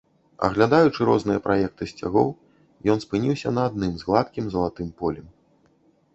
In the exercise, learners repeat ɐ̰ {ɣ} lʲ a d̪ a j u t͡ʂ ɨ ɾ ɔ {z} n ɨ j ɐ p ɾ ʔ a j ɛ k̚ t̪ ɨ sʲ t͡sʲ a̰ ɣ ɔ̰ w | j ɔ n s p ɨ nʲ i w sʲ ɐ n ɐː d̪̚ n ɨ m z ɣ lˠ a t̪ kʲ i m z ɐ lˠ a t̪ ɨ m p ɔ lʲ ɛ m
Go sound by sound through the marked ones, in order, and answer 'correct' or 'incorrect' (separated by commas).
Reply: correct, correct